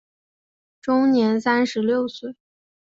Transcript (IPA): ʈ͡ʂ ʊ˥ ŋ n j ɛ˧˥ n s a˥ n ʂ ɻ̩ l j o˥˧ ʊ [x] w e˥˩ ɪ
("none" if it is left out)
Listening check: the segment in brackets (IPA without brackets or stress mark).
s